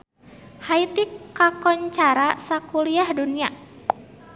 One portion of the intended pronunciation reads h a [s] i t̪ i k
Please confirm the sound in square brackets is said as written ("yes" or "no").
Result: no